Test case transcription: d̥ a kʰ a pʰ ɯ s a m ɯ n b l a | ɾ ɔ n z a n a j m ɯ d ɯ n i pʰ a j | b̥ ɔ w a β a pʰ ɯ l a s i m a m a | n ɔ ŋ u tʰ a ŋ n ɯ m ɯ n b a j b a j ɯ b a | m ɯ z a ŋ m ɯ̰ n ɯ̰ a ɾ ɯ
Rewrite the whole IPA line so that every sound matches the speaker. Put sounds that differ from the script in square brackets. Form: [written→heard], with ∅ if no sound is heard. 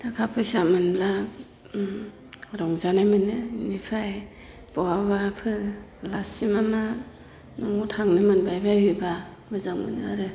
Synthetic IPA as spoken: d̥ a kʰ a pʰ ɯ s a m ɯ n b l a | ɾ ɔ [n→ŋ] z a n a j m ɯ [d→n] ɯ n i pʰ a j | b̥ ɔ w a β a pʰ ɯ l a s i m a m a | n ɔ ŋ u tʰ a ŋ n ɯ m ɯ n b a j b a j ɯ b a | m ɯ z a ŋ m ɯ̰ n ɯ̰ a ɾ ɯ

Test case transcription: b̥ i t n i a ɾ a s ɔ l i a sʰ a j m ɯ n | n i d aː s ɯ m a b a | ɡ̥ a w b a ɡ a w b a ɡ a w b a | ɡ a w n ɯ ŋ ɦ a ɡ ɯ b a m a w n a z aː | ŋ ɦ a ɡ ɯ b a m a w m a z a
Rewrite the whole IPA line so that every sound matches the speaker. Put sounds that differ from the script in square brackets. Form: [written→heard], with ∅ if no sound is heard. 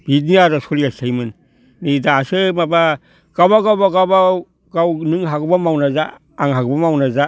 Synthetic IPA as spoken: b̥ i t n i a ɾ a s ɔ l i a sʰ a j m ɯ n | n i d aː s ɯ m a b a | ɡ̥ a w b a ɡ a w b a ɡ a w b a | ɡ a w n ɯ ŋ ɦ a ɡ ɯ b a m a w n a z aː | ŋ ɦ a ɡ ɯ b a m a w [m→n] a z a

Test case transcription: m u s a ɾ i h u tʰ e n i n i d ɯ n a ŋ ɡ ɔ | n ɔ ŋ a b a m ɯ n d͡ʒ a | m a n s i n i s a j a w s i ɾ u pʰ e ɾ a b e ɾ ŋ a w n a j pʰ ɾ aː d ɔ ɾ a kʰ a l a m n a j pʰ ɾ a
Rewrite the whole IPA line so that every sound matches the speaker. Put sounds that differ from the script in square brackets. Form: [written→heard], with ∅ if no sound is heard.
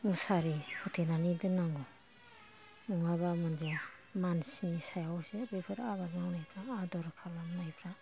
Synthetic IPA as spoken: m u s a ɾ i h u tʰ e n [i→a] n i d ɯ n a ŋ ɡ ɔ | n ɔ ŋ a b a m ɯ n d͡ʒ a | m a n s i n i s a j a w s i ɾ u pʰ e ɾ a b [e→a] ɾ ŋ a w n a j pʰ ɾ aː d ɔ ɾ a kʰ a l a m n a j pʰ ɾ a

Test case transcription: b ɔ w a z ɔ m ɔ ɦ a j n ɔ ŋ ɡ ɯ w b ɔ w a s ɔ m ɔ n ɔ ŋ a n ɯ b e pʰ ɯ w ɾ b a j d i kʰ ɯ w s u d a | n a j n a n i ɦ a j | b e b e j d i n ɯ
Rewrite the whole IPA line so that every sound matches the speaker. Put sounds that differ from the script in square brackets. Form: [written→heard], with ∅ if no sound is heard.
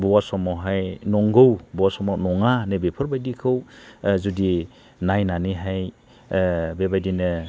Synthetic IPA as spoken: b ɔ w a [z→s] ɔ m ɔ ɦ a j n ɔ ŋ ɡ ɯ w b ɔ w a s ɔ m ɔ n ɔ ŋ a n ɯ b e pʰ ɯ [w→∅] ɾ b a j d i kʰ ɯ w [s→z] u d [a→i] | n a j n a n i ɦ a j | b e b [e→a] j d i n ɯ

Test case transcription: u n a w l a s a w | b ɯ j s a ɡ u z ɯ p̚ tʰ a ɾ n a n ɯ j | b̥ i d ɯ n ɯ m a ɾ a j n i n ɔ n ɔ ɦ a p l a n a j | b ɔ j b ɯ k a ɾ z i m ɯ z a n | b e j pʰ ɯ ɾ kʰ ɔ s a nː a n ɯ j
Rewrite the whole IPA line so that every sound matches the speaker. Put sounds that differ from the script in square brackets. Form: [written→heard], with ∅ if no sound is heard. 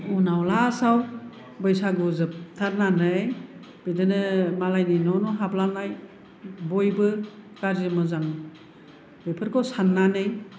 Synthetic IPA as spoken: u n a w l a s a w | b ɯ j s a ɡ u z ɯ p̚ tʰ a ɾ n a n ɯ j | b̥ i d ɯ n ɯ m a [ɾ→l] a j n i n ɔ n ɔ ɦ a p l a n a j | b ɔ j b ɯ k a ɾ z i m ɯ z a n | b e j pʰ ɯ ɾ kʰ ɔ s a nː a n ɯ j

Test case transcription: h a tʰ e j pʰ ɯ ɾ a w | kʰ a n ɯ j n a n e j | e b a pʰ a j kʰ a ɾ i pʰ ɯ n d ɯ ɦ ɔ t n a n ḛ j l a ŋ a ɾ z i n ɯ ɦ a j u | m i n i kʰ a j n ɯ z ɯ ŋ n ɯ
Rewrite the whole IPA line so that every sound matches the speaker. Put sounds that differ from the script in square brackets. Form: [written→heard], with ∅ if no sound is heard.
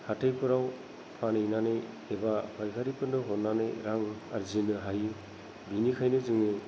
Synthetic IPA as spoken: h a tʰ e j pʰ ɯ ɾ a w | [kʰ→pʰ] a n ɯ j n a n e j | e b a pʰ a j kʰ a ɾ i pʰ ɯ n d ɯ ɦ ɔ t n a n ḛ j [l→ɾ] a ŋ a ɾ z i n ɯ ɦ a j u | [m→b] i n i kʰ a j n ɯ z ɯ ŋ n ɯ

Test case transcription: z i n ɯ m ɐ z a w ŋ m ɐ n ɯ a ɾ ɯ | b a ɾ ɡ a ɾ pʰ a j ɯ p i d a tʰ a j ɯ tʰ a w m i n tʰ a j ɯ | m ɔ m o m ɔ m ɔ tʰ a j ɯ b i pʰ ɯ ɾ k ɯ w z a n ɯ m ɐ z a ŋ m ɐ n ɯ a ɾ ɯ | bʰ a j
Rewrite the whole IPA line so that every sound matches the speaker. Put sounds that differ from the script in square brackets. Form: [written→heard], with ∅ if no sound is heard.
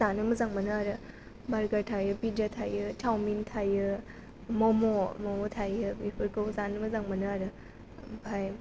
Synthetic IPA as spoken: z [i→a] n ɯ m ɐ z a [w→∅] ŋ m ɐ n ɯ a ɾ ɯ | b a ɾ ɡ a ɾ [pʰ→tʰ] a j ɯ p i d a tʰ a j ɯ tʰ a w m i n tʰ a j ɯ | m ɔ m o m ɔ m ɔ tʰ a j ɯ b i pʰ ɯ ɾ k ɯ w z a n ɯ m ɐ z a ŋ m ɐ n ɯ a ɾ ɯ | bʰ a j

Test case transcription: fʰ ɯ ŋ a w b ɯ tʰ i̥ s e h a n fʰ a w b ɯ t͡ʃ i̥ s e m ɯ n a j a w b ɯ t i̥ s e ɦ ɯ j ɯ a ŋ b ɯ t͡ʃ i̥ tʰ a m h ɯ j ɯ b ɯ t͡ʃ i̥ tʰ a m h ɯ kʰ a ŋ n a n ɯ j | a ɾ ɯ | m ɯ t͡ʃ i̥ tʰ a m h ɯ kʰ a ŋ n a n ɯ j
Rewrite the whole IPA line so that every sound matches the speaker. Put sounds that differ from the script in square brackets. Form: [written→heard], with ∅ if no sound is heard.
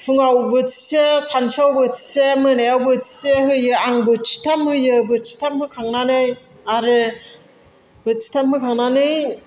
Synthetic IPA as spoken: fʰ ɯ ŋ a w b ɯ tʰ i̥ s e [h→s] a n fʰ a w b ɯ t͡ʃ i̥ s e m ɯ n a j a w b ɯ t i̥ s e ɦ ɯ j ɯ a ŋ b ɯ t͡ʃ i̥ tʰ a m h ɯ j ɯ b ɯ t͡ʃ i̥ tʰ a m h ɯ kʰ a ŋ n a n ɯ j | a ɾ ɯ | [m→b] ɯ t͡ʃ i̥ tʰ a m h ɯ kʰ a ŋ n a n ɯ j

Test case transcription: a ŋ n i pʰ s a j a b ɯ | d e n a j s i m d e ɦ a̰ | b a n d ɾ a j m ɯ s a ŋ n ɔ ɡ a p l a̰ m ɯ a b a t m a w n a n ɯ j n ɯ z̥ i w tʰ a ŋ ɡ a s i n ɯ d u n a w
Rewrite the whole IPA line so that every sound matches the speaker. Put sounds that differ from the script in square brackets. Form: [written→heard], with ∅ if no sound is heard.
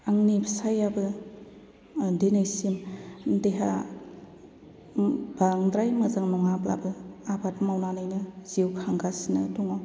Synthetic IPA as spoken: a ŋ n i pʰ s a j a b ɯ | d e n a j s i m d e ɦ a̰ | b a [n→ŋ] d ɾ a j m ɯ [s→z] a ŋ n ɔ [ɡ→ŋ] a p l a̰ [m→b] ɯ a b a t m a w n a n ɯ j n ɯ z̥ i w [tʰ→kʰ] a ŋ ɡ a s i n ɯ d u [n→ŋ] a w

